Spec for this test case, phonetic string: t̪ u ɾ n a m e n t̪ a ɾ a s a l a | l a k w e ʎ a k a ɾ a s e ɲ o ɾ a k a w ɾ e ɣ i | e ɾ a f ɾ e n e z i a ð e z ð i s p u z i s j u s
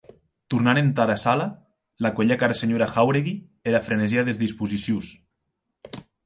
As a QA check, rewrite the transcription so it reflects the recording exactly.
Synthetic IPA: t̪ u ɾ n a n e n t̪ a ɾ a s a l a | l a k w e ʎ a k a ɾ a s e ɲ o ɾ a x a w ɾ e ɣ i | e ɾ a f ɾ e n e z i a ð e z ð i s p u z i s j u s